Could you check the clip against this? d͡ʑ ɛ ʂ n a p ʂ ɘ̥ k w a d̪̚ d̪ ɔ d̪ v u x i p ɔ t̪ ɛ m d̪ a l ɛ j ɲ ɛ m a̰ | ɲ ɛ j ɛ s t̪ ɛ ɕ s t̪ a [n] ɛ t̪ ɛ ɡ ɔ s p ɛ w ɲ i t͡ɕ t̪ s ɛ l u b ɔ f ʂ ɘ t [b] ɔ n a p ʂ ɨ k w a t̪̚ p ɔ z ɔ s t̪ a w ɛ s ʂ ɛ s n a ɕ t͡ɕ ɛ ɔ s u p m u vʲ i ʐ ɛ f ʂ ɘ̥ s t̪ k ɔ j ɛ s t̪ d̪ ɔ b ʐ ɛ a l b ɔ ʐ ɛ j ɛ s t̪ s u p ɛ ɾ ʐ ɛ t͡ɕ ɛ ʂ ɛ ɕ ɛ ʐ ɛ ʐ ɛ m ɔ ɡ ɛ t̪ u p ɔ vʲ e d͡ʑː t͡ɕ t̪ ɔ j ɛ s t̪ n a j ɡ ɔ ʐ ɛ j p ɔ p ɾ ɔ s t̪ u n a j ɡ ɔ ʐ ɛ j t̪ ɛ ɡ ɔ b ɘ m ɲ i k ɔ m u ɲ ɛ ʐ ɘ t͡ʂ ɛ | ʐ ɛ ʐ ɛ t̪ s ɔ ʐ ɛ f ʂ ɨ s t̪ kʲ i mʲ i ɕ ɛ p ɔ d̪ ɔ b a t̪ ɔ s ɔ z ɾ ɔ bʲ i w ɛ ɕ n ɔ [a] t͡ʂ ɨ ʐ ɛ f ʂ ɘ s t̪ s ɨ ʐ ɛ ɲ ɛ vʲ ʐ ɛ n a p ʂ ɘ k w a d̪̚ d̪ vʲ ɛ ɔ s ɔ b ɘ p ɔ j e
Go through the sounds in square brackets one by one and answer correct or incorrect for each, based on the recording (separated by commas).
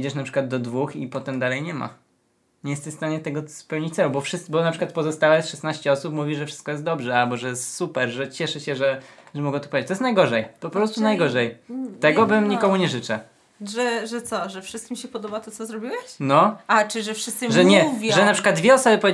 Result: incorrect, correct, correct